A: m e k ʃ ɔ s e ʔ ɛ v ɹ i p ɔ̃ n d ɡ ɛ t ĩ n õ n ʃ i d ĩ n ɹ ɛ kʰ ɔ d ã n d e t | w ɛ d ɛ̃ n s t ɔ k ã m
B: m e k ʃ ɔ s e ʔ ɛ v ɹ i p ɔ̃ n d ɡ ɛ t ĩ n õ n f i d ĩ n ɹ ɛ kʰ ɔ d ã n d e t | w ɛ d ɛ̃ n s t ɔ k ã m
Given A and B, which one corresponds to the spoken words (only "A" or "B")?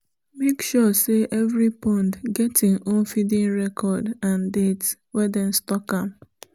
B